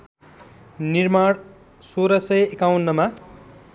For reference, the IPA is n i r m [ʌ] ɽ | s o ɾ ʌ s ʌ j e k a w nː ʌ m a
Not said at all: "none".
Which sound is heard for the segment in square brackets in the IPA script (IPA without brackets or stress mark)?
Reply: a